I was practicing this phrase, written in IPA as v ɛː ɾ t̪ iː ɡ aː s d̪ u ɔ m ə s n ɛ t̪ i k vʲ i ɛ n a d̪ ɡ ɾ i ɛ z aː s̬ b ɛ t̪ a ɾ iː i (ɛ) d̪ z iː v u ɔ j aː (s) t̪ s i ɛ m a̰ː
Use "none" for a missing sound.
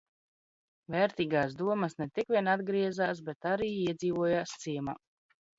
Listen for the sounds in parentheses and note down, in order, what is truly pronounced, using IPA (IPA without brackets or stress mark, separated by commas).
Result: ɛ, s